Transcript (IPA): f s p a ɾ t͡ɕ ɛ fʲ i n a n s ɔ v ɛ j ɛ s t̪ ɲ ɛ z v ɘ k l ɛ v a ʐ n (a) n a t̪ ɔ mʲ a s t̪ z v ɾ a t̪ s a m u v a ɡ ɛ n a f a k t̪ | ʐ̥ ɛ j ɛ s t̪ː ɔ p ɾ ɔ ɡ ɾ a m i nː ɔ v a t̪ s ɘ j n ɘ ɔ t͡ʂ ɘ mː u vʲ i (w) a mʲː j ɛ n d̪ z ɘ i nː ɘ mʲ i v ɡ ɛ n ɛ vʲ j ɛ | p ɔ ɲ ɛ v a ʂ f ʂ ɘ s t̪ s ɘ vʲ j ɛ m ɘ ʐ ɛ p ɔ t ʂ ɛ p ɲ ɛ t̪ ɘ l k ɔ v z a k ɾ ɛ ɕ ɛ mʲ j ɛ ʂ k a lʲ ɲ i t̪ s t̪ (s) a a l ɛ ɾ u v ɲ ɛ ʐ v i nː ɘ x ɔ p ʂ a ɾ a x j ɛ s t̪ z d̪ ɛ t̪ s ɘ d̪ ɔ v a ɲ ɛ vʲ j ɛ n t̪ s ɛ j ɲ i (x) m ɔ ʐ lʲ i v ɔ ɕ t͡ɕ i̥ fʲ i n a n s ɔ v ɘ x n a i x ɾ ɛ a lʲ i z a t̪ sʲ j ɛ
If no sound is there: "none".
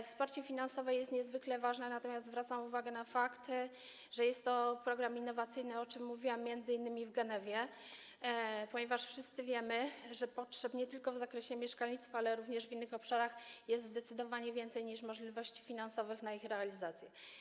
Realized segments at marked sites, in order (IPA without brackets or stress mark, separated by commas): ɛ, w, f, ʂ